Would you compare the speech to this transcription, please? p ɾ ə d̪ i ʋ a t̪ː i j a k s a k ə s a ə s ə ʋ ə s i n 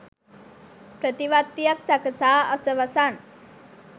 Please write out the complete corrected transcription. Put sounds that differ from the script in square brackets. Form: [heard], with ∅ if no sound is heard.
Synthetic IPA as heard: p ɾ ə [t̪] i ʋ a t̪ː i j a k s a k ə s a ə s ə ʋ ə s [a] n